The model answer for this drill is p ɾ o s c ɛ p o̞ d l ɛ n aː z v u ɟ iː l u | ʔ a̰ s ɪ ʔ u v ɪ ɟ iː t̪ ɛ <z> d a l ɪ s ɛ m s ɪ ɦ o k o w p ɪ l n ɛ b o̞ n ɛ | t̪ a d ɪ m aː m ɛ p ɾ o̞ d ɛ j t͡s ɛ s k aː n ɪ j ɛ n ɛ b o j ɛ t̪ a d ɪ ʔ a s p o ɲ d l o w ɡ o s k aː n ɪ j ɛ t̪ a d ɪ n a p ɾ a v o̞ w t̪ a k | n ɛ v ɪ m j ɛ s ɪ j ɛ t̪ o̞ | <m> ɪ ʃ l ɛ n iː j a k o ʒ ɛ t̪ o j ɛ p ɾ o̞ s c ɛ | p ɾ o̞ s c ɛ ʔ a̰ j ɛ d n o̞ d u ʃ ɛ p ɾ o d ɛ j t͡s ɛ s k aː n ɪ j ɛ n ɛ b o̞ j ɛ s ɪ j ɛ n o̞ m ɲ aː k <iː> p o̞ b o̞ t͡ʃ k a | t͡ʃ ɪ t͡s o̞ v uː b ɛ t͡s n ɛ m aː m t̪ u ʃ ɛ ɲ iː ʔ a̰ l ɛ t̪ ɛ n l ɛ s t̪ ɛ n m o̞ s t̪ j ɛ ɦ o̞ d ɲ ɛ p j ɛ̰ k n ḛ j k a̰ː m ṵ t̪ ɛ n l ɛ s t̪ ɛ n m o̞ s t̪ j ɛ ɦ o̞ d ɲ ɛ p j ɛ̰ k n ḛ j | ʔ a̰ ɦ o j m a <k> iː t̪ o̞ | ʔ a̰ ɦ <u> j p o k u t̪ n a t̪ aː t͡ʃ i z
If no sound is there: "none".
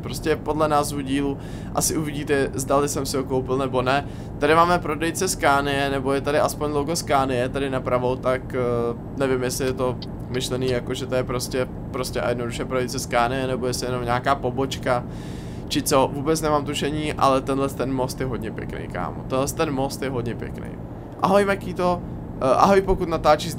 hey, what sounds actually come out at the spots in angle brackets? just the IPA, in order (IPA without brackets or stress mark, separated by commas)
z, m, aː, k, o